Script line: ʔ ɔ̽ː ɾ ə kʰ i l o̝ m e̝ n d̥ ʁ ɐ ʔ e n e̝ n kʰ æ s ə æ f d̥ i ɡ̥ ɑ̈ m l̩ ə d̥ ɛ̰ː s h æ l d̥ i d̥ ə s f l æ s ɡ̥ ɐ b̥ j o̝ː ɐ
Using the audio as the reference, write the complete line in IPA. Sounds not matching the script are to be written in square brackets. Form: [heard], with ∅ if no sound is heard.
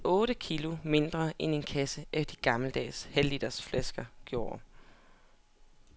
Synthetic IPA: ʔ ɔ̽ː ɾ ə kʰ i l o̝ m e̝ n d̥ ʁ ɐ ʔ e n e̝ n kʰ æ s ə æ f d̥ i ɡ̥ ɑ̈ m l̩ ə d̥ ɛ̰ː s h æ l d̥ i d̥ [ɐ] s f l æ s ɡ̥ ɐ [ɡ̥] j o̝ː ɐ